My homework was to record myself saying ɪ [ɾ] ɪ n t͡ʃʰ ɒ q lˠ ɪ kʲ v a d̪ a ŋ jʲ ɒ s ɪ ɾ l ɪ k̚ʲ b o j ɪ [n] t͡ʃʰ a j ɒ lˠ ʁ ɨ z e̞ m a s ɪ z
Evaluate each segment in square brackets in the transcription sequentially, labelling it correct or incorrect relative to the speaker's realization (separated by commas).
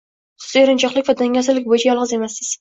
correct, incorrect